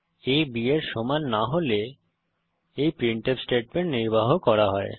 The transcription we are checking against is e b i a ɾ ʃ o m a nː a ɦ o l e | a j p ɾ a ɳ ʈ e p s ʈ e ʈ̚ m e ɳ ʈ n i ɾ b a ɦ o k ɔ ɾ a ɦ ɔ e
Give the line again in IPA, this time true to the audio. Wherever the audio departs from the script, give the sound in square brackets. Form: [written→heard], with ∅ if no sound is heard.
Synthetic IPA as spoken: e b i [a→e] ɾ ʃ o m a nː a ɦ o l e | [a→e] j p ɾ [a→i] ɳ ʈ e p s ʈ e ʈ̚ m e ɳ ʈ n i ɾ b a ɦ o k ɔ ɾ a ɦ ɔ e